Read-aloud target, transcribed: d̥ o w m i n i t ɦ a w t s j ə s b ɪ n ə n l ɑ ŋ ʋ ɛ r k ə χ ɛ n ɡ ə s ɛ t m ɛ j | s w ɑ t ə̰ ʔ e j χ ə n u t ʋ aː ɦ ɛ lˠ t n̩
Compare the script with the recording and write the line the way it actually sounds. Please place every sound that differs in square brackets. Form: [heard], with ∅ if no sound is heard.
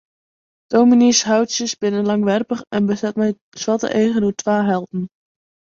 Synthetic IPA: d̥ o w m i n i [s] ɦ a w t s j ə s b ɪ n ə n l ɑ ŋ ʋ ɛ r [p] ə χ ɛ n [b] ə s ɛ t m ɛ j | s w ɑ t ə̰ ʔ e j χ ə n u t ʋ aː ɦ ɛ lˠ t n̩